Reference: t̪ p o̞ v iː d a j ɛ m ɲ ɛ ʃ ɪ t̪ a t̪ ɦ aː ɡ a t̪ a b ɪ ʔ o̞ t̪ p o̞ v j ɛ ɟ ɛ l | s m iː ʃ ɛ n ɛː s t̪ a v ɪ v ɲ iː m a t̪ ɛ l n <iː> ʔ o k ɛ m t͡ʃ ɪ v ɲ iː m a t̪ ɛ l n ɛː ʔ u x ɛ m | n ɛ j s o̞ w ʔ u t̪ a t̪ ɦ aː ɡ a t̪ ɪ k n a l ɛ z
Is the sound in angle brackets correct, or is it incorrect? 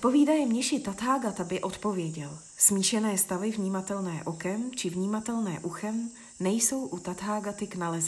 incorrect